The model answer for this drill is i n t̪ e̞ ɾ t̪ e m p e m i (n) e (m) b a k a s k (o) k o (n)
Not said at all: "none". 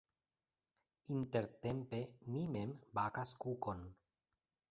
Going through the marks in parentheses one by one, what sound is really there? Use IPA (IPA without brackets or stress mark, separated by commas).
m, m, u, n